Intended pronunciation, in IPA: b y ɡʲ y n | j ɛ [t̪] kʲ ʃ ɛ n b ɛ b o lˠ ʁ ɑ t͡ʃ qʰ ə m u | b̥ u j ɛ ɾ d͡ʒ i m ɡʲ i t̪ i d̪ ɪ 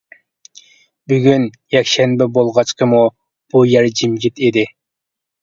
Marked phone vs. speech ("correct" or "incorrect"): incorrect